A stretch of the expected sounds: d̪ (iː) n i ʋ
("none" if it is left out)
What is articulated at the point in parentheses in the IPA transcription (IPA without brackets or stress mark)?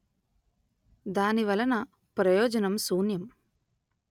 aː